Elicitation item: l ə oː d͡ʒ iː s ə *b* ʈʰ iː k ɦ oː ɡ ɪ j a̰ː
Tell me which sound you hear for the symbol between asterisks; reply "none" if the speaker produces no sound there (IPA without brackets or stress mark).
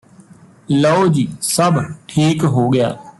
b